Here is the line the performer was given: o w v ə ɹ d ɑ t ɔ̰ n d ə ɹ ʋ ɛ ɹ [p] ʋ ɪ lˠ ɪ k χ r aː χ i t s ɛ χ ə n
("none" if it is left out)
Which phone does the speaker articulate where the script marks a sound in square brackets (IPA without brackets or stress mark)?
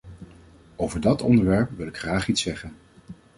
p